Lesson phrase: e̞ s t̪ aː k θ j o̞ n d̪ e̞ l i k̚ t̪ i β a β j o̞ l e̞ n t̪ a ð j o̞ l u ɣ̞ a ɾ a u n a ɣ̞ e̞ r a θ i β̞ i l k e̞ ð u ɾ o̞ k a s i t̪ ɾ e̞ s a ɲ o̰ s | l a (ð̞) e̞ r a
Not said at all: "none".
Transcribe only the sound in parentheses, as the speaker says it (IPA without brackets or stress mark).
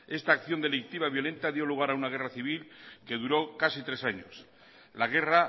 ɣ̞